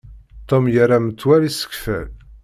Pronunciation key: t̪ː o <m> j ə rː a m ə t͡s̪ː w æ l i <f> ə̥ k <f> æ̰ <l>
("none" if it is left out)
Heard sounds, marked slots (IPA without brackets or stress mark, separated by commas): m, s, f, l